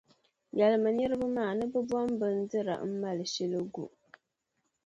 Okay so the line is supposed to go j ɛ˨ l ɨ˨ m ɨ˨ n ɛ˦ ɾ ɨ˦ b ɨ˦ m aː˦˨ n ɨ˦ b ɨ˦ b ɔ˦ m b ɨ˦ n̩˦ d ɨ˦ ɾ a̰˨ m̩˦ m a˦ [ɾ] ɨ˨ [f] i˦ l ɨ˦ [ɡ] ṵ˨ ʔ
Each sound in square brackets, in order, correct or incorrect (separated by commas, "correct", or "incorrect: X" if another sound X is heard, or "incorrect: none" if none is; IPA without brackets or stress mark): incorrect: l, incorrect: ʃ, correct